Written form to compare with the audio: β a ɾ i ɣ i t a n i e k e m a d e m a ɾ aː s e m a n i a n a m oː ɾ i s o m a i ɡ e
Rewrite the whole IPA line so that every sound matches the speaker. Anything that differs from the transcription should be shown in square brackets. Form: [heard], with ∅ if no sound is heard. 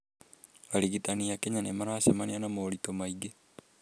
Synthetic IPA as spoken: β a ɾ i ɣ i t a n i [a] k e [ɲ] a [n] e m a ɾ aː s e m a n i a n a m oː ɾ i [t] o m a i ɡ e